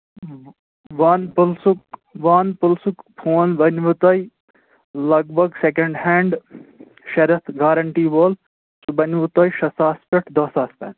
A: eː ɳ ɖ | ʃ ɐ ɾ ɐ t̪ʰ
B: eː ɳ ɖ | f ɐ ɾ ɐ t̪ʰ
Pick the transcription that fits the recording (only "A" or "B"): A